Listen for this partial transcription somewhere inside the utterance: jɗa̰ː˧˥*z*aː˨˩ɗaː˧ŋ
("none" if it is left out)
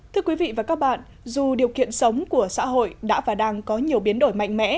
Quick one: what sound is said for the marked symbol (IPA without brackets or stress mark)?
v